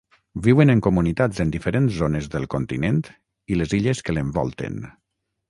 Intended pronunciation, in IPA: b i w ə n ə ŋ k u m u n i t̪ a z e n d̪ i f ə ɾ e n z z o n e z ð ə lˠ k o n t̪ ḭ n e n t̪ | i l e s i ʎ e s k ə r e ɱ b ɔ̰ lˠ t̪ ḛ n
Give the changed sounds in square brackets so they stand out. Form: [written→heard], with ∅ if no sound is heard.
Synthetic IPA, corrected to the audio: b i w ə n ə ŋ k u m u n i t̪ a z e n d̪ i f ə ɾ e n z z o n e z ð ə lˠ k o n t̪ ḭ n e n t̪ | i l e [s→z] i ʎ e s k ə [r→l] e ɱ b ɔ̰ lˠ t̪ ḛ n